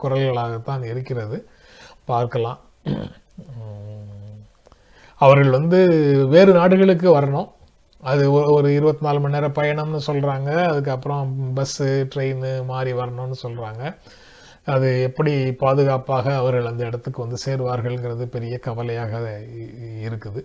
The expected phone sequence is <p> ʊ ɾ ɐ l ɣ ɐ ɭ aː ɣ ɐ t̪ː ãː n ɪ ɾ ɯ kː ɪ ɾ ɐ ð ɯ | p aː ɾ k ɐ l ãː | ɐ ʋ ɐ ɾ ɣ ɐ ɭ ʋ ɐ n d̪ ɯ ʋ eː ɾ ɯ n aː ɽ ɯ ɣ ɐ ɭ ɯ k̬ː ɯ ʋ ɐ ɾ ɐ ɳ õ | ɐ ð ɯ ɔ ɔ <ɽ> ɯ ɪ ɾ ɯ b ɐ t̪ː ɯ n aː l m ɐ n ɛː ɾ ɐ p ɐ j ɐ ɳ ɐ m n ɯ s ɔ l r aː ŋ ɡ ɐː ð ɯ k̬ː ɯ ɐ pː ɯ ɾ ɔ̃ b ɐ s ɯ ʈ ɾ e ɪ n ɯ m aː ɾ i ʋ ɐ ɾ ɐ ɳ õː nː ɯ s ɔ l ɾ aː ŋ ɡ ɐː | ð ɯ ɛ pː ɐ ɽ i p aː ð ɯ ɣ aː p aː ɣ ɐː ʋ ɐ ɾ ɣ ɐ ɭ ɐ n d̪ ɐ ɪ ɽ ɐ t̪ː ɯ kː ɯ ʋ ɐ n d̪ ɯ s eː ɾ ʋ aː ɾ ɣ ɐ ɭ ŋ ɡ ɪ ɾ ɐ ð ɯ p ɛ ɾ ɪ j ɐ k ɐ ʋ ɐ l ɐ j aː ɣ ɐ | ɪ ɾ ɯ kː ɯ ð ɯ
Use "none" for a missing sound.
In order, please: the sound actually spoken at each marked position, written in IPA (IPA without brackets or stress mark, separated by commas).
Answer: k, ɾ